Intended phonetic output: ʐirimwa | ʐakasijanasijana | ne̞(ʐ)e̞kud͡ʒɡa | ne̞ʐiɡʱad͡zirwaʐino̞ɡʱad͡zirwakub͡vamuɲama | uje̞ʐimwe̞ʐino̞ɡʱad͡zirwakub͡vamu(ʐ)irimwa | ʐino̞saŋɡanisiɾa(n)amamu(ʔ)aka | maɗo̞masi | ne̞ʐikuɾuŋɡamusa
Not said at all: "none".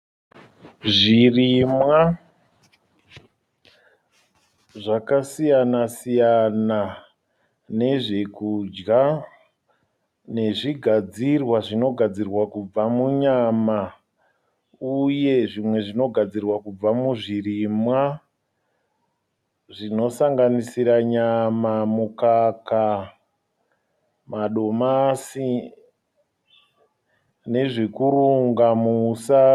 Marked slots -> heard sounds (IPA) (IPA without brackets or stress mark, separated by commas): ʐ, ʐ, ɲ, k